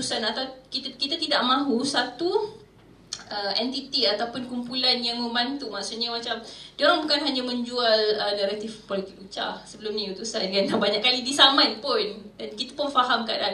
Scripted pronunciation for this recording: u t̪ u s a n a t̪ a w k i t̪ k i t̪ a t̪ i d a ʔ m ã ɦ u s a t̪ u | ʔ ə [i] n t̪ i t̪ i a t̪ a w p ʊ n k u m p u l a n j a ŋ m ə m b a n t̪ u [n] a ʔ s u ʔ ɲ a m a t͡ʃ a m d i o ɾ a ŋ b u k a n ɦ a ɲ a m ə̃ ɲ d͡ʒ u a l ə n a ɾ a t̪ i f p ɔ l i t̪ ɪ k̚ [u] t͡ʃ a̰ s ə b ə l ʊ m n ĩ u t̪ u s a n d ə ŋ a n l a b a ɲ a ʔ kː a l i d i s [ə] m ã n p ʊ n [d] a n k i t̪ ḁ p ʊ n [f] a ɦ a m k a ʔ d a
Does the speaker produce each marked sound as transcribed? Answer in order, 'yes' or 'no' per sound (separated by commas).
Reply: no, no, yes, no, yes, yes